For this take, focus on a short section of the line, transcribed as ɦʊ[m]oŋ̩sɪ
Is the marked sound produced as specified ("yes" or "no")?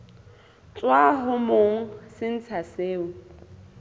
yes